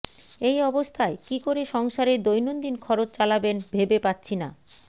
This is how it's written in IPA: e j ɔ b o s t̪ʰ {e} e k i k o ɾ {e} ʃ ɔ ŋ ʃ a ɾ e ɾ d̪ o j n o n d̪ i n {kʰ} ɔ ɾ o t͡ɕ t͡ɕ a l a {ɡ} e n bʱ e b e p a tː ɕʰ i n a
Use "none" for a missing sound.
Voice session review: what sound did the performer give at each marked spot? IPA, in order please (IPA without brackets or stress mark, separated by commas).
a, e, kʰ, b